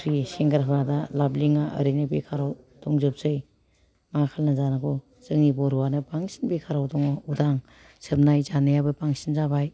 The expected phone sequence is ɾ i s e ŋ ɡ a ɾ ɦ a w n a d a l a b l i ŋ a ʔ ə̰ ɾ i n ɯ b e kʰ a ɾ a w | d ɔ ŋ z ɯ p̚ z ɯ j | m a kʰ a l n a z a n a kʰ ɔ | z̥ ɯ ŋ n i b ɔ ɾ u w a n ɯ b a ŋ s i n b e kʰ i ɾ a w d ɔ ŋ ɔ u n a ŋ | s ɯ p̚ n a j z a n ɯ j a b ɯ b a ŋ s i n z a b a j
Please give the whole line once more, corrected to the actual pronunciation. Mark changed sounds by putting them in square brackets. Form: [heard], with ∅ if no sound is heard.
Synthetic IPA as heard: ɾ i s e ŋ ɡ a ɾ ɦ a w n a d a l a b l i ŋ a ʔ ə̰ ɾ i n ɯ b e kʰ a ɾ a w | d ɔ ŋ z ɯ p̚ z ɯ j | m a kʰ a l n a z a n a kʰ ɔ | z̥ ɯ ŋ n i b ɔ ɾ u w a n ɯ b a ŋ s i n b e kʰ [a] ɾ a w d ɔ ŋ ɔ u [d] a ŋ | s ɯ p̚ n a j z a n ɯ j a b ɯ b a ŋ s i n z a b a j